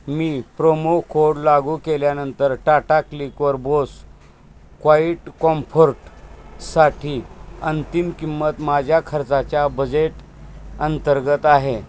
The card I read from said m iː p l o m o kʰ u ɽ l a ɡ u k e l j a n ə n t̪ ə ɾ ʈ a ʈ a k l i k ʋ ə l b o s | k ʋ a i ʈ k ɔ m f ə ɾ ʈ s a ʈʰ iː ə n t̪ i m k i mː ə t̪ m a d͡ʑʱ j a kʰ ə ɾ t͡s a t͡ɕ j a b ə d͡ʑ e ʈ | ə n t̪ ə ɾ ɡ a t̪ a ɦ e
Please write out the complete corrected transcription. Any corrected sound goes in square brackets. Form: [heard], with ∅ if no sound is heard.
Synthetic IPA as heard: m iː p [ɾ] o m o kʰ [o] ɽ l a ɡ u k e l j a n ə n t̪ ə ɾ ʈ a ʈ a k l i k ʋ ə [ɾ] b o s | k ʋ a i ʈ k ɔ m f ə ɾ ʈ s a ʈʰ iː ə n t̪ i m k i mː ə t̪ m a d͡ʑʱ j a kʰ ə ɾ t͡s a t͡ɕ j a b ə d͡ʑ e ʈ | ə n t̪ ə ɾ ɡ [ə] t̪ a ɦ e